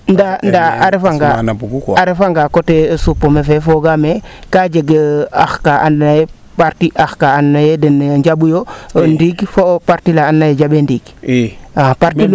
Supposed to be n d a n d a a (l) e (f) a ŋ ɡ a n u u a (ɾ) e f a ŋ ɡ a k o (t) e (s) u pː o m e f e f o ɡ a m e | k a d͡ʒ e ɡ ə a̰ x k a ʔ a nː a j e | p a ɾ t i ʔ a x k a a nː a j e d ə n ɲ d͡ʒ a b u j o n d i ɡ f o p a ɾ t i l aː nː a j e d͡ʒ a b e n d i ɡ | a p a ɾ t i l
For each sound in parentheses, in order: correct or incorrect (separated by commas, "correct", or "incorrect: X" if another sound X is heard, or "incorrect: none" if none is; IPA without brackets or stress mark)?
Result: incorrect: ɾ, correct, correct, correct, correct